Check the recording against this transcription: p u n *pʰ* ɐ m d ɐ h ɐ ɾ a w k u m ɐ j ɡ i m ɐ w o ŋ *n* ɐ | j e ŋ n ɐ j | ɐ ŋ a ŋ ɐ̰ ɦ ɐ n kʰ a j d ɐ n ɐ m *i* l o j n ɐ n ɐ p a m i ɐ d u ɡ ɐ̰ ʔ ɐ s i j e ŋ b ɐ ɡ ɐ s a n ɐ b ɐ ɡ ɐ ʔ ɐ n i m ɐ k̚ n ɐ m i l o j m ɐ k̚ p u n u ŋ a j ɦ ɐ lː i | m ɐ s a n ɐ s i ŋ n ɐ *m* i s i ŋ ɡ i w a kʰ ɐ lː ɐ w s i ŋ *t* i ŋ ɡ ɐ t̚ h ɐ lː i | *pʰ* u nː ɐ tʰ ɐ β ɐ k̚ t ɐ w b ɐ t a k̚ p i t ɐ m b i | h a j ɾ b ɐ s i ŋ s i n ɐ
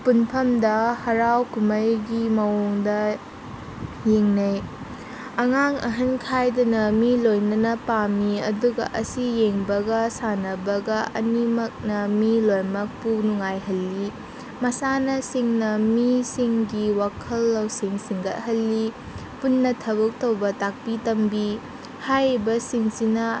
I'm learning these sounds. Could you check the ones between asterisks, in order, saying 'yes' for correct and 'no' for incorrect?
yes, no, yes, yes, no, no

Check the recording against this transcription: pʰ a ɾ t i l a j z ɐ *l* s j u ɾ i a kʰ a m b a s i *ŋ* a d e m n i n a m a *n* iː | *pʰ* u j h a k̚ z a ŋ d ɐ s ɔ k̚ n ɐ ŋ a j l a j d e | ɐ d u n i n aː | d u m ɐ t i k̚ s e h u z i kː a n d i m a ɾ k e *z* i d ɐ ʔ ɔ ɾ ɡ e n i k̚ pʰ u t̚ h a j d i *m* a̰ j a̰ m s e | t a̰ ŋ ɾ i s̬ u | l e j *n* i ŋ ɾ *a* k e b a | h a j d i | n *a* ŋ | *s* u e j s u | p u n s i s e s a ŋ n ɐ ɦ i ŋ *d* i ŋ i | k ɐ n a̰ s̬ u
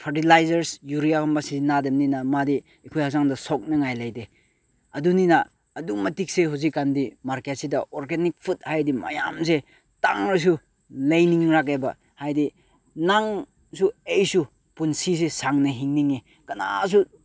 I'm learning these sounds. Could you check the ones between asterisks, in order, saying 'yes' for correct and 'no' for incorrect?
no, no, no, no, no, yes, yes, yes, yes, yes, no

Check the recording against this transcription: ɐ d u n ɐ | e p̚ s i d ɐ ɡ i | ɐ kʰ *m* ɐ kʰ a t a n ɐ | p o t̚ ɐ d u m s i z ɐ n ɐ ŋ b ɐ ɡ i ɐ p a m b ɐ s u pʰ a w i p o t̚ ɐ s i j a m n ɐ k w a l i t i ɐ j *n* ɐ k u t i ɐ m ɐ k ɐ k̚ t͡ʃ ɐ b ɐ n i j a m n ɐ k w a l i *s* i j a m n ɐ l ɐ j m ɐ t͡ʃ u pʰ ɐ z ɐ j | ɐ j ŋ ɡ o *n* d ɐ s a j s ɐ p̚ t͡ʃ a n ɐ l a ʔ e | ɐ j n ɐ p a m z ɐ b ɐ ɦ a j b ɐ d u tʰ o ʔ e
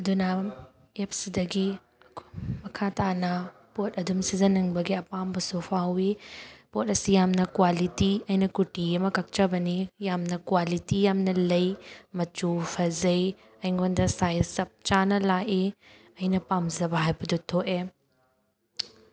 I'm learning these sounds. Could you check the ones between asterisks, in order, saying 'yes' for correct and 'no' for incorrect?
yes, yes, no, yes

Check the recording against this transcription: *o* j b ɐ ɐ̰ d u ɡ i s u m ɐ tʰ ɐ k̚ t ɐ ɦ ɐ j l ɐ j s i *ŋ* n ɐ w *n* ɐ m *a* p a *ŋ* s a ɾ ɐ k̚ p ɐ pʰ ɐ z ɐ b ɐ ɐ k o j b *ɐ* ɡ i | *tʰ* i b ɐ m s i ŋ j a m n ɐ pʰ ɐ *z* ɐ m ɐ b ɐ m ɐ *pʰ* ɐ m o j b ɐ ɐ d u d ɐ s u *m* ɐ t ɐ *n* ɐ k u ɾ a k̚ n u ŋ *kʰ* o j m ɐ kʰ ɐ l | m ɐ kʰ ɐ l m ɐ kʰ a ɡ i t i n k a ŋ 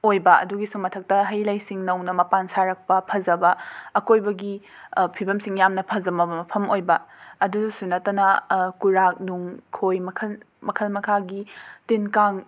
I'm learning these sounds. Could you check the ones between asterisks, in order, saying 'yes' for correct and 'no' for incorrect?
yes, yes, yes, no, no, yes, no, yes, yes, no, yes, yes

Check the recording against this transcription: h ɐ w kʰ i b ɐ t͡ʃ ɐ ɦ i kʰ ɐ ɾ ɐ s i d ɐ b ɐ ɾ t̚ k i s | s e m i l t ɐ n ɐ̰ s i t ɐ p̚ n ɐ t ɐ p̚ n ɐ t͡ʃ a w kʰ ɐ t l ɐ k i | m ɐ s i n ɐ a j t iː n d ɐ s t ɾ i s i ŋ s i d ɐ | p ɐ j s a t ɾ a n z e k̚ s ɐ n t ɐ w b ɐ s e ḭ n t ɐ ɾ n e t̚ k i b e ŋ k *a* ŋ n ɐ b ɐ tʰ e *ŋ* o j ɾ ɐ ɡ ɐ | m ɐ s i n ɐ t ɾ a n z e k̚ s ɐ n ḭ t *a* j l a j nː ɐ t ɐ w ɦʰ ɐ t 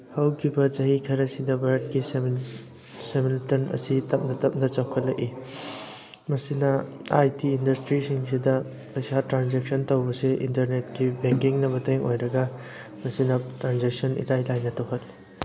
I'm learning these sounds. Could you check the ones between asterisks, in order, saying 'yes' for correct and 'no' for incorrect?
no, yes, yes

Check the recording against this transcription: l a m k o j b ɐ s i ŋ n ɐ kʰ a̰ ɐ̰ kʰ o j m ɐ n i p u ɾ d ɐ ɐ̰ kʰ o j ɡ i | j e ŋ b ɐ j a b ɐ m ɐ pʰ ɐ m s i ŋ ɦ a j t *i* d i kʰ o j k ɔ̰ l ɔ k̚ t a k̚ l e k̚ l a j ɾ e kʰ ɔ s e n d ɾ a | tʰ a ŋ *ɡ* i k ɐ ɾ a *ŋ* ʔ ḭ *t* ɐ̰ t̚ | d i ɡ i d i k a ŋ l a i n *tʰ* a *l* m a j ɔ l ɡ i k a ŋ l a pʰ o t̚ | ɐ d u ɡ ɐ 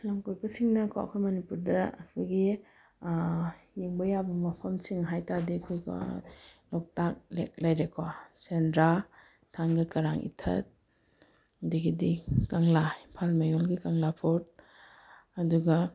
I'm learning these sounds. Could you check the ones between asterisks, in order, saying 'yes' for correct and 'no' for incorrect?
no, yes, yes, no, no, yes

